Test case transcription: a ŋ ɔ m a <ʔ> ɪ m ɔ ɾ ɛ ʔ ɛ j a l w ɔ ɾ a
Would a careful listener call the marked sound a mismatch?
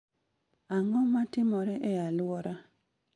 yes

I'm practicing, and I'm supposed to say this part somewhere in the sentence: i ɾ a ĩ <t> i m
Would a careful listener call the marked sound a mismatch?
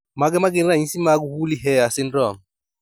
yes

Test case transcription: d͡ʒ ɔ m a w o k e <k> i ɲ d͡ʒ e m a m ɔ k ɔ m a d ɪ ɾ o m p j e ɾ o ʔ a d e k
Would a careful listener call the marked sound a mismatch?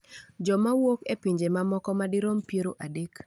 yes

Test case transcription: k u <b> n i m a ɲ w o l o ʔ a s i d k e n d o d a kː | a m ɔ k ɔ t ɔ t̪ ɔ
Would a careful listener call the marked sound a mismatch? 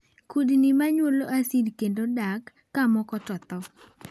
yes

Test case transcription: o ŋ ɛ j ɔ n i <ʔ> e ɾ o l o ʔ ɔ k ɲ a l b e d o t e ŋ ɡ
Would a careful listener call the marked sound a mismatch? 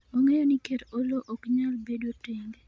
yes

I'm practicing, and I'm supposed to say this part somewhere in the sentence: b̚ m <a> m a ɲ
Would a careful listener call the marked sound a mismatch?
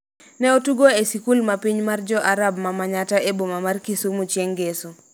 no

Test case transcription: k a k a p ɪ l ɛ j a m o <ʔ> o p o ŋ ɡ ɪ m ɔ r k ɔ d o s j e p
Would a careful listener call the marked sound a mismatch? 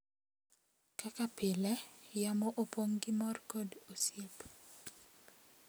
no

